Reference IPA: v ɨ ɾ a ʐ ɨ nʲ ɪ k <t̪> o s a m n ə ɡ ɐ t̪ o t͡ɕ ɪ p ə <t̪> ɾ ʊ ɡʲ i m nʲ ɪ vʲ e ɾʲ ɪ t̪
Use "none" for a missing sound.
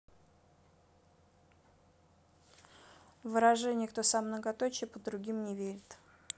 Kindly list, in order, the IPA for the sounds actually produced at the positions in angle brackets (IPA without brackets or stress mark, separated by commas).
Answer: t̪, d̪